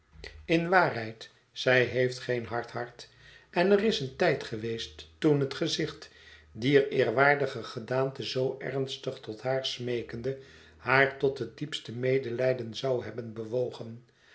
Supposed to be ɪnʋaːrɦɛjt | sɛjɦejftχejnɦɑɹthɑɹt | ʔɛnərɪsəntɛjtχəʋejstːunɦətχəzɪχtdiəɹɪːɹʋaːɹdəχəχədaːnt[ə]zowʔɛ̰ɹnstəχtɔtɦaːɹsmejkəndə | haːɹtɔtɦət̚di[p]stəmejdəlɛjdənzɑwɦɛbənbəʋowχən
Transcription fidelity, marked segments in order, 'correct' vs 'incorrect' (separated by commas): correct, correct